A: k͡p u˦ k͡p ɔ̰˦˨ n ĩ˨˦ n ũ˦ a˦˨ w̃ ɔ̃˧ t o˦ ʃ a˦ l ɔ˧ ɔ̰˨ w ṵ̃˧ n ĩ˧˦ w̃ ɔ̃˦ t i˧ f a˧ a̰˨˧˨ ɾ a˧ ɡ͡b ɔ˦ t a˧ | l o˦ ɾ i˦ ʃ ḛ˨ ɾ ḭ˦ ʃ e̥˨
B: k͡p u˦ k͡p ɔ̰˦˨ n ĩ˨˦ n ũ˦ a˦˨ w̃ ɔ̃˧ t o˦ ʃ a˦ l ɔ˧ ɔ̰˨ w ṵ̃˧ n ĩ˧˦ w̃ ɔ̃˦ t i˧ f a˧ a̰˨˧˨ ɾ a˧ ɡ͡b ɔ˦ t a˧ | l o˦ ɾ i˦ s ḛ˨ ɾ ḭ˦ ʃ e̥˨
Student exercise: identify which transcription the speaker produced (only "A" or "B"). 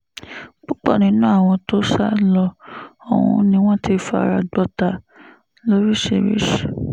A